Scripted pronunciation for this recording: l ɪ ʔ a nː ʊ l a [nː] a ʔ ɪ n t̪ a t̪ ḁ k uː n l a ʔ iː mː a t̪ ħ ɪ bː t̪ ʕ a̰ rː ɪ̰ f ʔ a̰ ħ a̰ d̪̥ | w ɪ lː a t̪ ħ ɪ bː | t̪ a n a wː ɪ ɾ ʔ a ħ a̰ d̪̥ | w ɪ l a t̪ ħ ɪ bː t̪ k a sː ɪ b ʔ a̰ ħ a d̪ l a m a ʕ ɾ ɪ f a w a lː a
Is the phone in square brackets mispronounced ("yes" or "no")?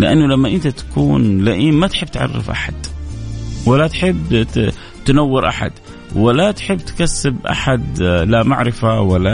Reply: yes